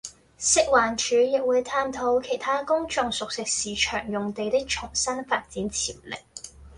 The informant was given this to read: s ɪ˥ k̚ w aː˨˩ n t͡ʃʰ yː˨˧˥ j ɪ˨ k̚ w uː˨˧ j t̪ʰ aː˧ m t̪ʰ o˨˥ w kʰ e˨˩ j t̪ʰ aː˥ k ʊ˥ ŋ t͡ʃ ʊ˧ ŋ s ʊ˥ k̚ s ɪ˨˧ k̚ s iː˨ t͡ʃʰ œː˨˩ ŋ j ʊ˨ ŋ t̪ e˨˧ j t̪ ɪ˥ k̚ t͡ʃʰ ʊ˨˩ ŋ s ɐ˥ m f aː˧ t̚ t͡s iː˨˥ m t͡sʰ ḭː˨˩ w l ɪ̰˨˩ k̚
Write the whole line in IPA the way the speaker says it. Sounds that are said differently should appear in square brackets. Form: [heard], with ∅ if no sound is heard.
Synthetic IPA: s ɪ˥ k̚ w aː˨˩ n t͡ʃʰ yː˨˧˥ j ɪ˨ k̚ w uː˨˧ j t̪ʰ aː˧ m t̪ʰ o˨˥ w kʰ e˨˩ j t̪ʰ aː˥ k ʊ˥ ŋ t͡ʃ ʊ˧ ŋ s [ʊ˨] k̚ s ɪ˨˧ k̚ s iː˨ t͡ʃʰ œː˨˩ ŋ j ʊ˨ ŋ t̪ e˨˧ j t̪ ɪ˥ k̚ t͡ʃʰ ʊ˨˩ ŋ s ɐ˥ [n] f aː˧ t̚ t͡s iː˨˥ [n] t͡sʰ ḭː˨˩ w l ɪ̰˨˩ k̚

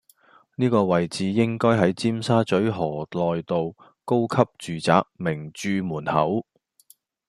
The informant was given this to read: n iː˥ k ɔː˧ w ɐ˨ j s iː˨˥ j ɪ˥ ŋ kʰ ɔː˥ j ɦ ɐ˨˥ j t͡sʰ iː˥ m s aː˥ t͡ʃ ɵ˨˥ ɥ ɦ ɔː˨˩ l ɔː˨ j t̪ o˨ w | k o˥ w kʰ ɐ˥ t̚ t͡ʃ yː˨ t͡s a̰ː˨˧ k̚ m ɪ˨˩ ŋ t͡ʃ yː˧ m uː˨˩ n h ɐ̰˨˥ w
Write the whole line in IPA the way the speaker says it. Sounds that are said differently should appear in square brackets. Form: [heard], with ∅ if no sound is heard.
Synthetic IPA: n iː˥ k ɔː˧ w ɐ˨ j [t͡s] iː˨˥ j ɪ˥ ŋ [k] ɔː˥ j ɦ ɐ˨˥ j [t͡s] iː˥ m s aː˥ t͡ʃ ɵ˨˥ ɥ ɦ ɔː˨˩ l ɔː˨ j t̪ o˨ w | k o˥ w kʰ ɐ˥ [p̚] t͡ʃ yː˨ t͡s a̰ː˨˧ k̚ m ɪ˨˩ ŋ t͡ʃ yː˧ m uː˨˩ n h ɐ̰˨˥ w

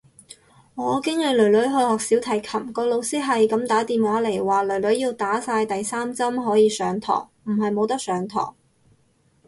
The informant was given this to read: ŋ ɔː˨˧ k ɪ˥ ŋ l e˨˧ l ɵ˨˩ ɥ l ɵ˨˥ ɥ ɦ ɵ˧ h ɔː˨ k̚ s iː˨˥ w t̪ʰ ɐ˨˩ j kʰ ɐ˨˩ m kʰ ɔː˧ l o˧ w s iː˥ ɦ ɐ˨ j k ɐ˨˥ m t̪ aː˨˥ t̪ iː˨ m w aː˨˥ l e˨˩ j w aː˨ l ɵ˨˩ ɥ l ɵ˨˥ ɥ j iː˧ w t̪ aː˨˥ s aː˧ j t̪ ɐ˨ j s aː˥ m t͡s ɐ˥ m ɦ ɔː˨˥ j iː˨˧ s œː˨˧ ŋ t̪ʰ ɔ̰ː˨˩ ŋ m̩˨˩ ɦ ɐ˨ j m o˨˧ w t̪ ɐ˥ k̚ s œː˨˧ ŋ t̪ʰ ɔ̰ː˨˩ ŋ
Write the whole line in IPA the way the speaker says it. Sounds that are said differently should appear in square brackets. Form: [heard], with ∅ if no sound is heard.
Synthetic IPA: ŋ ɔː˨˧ k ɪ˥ ŋ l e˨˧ l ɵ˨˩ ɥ l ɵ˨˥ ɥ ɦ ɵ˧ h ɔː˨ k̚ s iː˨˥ w t̪ʰ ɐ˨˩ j kʰ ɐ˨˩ m [k] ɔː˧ l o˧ w s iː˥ ɦ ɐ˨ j k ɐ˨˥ m t̪ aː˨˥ t̪ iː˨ m w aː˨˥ l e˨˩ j w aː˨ l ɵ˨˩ ɥ l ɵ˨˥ ɥ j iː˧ w t̪ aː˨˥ s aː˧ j t̪ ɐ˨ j s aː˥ m t͡s ɐ˥ m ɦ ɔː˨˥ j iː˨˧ s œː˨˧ ŋ t̪ʰ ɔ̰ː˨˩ ŋ m̩˨˩ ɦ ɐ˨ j m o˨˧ w t̪ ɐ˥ k̚ s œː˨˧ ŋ t̪ʰ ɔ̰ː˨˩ ŋ

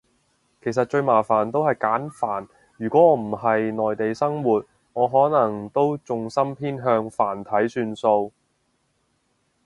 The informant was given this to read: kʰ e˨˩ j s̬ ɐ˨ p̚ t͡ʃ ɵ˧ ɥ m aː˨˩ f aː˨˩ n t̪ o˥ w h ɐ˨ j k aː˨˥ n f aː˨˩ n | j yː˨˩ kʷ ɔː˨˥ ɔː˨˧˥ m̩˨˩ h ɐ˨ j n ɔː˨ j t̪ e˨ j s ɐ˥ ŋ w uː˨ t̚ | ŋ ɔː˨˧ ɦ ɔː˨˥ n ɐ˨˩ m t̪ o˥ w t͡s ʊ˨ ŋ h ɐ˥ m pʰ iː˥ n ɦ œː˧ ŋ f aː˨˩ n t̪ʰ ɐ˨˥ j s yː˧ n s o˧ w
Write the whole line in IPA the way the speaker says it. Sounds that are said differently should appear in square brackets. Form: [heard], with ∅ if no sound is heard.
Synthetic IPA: kʰ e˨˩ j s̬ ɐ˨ [t̚] t͡ʃ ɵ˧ ɥ m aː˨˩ f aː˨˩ n t̪ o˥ w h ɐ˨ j k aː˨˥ n f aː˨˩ n | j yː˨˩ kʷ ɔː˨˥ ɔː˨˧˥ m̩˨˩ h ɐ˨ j n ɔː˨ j t̪ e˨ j s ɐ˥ ŋ w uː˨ t̚ | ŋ ɔː˨˧ ɦ ɔː˨˥ n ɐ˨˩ [ŋ] t̪ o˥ w t͡s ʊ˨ ŋ [s] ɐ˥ m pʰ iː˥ n ɦ œː˧ ŋ f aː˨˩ n t̪ʰ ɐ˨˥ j s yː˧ n s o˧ w

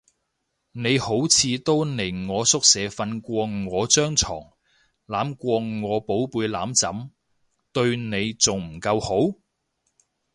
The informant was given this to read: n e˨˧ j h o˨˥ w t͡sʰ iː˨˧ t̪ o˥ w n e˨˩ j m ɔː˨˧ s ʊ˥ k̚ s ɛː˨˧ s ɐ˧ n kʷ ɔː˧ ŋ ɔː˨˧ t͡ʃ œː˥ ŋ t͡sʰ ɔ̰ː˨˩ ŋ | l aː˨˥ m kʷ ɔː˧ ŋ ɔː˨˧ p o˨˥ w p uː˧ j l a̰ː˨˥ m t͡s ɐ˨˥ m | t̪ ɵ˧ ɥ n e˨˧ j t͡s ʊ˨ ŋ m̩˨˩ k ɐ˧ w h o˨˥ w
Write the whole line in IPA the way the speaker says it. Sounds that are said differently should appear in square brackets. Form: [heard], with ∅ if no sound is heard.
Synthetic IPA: n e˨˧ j h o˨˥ w t͡sʰ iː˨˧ t̪ o˥ w n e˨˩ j [ŋ] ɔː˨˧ s ʊ˥ k̚ s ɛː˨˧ [f] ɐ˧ n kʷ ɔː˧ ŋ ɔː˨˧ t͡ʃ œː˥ ŋ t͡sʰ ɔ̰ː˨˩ ŋ | l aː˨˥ m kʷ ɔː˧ ŋ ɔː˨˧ p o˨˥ w p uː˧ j l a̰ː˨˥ m t͡s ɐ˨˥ m | t̪ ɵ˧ ɥ n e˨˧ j t͡s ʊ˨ ŋ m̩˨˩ k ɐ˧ w h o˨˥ w

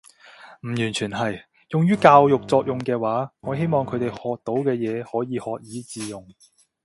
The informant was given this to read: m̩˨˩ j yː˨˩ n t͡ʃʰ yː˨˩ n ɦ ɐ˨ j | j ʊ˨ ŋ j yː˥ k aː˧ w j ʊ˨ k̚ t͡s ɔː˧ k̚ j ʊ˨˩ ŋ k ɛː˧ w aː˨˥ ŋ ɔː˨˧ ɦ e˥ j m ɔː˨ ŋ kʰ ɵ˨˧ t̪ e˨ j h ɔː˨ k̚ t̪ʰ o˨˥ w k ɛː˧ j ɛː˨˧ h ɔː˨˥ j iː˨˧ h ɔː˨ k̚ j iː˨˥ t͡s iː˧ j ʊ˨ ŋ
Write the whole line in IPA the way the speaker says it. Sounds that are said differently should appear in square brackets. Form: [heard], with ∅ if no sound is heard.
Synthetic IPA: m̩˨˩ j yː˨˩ n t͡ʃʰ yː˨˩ n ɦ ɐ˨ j | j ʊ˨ ŋ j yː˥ k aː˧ w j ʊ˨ k̚ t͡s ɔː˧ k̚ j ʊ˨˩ ŋ k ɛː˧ w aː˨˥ ŋ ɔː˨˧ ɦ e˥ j m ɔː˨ ŋ kʰ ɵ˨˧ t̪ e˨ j h ɔː˨ k̚ [t̪] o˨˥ w k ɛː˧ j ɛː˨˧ h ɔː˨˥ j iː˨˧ h ɔː˨ k̚ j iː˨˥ t͡s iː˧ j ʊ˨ ŋ

